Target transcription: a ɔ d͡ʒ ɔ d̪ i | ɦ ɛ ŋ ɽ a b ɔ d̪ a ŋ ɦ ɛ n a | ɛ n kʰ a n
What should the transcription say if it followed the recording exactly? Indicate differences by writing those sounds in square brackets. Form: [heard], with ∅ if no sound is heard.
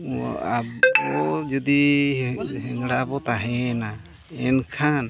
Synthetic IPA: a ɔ d͡ʒ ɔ d̪ i | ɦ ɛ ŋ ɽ a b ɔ [t̪] a [∅] ɦ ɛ n a | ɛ n kʰ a n